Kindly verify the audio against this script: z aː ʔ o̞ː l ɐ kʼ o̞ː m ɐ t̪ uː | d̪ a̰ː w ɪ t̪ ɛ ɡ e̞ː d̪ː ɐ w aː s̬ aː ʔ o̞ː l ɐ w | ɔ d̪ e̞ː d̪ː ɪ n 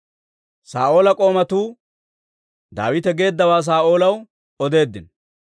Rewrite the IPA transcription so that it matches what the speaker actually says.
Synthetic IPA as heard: s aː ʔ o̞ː l ɐ kʼ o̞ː m ɐ t̪ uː | d̪ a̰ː w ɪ t̪ ɛ ɡ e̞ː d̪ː ɐ w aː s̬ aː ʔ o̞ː l ɐ w | ɔ d̪ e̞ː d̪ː ɪ n